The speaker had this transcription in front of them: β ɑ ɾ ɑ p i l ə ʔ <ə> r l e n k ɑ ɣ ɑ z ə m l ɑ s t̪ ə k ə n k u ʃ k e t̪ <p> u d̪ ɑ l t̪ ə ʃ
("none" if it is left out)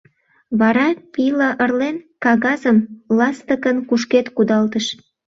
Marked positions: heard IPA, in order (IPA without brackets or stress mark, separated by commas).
ə, k